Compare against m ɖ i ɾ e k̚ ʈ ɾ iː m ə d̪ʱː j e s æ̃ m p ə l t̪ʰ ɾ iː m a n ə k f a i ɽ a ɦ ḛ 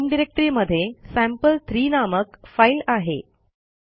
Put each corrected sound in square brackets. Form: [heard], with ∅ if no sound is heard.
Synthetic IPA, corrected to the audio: m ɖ i ɾ e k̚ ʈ ɾ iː m ə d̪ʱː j e s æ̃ m p ə l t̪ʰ ɾ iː [n] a [m] ə k f a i [l] a ɦ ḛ